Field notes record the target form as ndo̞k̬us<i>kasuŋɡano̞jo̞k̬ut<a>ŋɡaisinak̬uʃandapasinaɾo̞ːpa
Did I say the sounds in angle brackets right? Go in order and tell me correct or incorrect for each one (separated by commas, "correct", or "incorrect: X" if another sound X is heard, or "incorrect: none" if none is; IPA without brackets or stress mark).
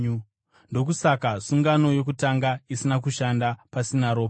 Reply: incorrect: a, correct